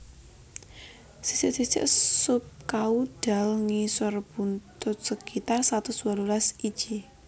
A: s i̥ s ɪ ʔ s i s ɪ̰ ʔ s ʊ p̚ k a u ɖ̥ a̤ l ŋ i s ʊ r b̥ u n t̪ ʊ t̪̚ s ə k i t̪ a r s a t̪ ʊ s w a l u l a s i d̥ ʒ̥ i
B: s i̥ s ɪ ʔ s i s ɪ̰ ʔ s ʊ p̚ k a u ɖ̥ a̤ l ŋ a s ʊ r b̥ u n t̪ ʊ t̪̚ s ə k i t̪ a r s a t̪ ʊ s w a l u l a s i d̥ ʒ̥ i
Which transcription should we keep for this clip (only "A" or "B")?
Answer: A